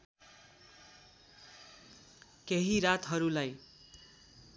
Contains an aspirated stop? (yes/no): no